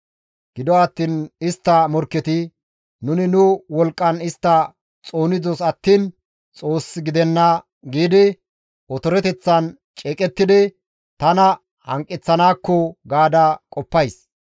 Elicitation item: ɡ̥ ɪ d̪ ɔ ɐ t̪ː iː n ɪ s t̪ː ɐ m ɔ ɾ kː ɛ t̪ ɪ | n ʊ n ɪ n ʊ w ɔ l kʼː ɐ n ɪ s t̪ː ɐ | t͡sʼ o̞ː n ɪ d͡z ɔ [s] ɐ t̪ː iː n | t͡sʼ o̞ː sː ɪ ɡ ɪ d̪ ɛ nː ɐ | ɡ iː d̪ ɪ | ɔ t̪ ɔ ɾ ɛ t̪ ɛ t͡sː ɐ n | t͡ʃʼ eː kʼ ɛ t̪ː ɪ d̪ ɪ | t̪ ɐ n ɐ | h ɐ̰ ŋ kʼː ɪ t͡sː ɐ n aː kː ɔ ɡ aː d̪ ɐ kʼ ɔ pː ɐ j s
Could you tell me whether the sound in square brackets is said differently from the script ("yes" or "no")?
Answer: no